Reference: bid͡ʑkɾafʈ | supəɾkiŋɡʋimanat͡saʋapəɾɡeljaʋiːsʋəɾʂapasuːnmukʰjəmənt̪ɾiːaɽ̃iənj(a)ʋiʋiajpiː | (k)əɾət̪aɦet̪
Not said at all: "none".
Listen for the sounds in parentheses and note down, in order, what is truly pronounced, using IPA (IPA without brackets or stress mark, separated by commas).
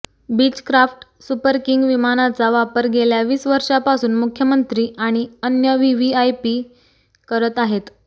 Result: ə, k